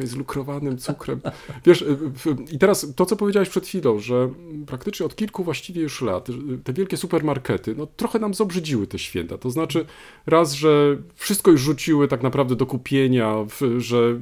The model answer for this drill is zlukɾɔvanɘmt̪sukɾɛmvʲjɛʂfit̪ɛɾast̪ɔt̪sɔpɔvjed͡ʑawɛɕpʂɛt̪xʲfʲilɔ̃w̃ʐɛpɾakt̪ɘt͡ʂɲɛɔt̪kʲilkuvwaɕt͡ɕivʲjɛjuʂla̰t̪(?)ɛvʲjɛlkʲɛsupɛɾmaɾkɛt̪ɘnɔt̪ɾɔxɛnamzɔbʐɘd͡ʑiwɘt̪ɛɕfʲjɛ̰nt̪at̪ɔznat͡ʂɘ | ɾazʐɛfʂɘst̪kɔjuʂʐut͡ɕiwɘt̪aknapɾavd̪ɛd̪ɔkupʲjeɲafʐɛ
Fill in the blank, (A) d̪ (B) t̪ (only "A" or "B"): B